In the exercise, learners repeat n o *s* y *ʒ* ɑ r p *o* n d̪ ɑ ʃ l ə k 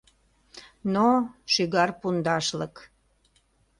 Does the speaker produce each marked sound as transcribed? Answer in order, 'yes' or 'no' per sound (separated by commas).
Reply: no, no, no